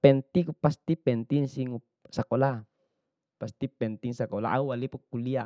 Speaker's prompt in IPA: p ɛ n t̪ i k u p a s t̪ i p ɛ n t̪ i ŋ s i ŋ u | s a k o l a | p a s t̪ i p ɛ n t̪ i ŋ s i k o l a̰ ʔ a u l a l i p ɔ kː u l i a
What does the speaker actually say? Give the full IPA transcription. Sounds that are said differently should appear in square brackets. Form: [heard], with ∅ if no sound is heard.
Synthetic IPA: p ɛ n t̪ i k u p a s t̪ i p ɛ n t̪ i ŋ s i ŋ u | s a k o l a | p a s t̪ i p ɛ n t̪ i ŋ s [a] k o l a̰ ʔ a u [∅] a l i p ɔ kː u l i a